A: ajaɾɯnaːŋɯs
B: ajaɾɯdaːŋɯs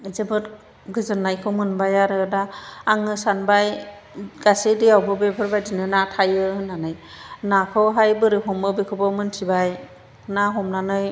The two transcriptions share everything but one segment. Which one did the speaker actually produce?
B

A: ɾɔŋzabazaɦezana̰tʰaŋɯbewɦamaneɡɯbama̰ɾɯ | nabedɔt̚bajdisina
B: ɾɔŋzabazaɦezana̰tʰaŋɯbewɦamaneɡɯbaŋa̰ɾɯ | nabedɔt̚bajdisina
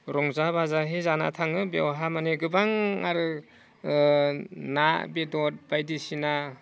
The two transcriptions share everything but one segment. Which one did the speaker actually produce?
B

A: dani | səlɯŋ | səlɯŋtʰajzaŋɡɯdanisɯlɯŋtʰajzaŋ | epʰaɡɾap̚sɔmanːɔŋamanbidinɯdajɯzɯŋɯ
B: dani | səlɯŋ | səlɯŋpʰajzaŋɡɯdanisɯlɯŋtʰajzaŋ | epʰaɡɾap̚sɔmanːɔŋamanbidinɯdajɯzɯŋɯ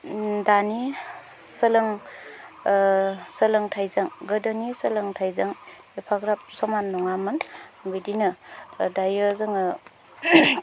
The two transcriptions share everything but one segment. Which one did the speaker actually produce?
A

